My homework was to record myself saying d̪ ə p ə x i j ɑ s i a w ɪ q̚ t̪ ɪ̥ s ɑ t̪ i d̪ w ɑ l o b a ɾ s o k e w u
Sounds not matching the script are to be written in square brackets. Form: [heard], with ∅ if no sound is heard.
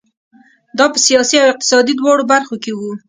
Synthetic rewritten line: d̪ [ɑ] p ə [s] i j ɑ s i a w ɪ q̚ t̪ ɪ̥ s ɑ [d̪] i d̪ w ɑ [ɽ] o b a ɾ [x] o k e w u